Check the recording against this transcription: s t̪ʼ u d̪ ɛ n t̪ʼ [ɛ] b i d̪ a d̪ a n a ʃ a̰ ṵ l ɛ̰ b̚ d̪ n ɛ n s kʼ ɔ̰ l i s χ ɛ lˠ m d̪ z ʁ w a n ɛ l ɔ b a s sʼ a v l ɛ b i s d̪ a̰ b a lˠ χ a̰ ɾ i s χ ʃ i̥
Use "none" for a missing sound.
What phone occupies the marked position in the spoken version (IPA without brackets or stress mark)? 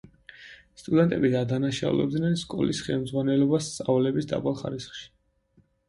ɛ